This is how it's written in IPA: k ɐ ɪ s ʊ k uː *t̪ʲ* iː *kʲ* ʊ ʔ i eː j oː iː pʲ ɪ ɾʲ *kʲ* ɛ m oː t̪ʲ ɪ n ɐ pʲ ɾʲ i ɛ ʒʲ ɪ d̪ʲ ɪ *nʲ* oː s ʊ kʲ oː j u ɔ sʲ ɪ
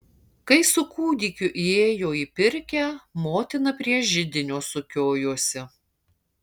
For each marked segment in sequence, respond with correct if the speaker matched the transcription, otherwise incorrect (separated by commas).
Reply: incorrect, correct, correct, correct